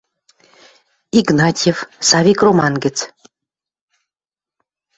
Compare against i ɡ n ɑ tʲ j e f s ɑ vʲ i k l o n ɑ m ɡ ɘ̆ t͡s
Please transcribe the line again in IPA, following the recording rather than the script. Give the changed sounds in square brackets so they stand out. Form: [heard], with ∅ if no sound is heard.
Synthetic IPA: i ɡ n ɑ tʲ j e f s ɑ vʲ i k [r] o [m] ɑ [n] ɡ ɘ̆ t͡s